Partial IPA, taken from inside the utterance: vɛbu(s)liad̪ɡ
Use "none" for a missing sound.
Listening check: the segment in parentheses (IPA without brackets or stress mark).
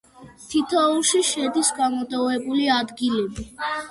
none